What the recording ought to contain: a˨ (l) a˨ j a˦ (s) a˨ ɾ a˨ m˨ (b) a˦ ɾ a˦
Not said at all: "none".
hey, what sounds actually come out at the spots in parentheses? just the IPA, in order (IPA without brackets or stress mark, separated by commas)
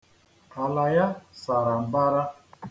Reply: l, s, b